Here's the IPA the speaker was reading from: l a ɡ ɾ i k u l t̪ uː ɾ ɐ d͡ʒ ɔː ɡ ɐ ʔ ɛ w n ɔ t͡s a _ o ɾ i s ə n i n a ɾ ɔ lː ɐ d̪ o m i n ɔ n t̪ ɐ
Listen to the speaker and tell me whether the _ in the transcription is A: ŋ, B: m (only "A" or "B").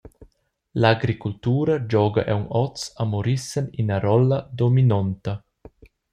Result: B